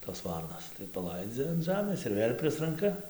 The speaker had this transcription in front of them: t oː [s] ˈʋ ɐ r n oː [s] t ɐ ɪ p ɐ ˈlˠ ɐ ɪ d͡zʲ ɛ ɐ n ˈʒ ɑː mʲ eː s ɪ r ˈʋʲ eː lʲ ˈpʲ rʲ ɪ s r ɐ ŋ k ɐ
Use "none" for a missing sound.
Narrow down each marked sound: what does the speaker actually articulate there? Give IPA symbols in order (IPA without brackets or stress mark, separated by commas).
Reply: s, s